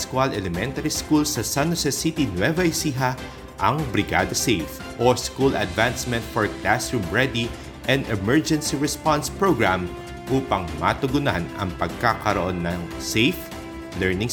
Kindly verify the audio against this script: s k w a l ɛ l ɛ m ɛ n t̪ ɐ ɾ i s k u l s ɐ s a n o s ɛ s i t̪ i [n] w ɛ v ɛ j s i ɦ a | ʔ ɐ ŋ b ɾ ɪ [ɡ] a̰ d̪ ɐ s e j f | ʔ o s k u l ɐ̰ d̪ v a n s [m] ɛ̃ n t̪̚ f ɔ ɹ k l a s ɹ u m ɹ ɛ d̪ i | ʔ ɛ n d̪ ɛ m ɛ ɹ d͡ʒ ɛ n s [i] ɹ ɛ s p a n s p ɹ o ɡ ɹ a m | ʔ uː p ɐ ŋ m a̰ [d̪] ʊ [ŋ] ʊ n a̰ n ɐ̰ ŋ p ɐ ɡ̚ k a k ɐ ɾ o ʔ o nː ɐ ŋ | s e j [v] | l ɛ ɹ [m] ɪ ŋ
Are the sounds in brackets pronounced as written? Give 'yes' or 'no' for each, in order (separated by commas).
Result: yes, yes, yes, yes, no, no, no, no